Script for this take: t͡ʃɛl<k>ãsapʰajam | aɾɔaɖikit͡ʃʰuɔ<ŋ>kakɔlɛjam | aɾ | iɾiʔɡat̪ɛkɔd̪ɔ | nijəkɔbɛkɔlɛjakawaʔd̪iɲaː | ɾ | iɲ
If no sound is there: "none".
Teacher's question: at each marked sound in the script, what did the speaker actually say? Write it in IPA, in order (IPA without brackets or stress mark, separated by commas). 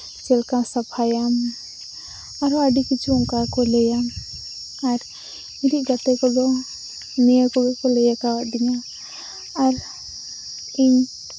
k, ŋ